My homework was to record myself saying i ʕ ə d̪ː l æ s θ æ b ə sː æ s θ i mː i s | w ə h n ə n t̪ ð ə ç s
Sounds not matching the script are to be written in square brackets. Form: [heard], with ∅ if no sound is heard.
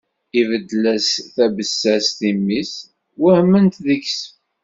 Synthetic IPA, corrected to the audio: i [v] ə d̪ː l æ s θ æ b ə sː æ s θ i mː i s | w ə h [m] ə n t̪ ð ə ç s